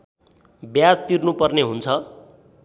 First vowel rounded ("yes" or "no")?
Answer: no